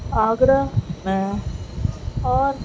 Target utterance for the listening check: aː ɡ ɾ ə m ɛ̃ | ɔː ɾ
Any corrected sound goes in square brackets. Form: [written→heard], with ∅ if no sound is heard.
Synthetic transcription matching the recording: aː ɡ ɾ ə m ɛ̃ | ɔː ɾ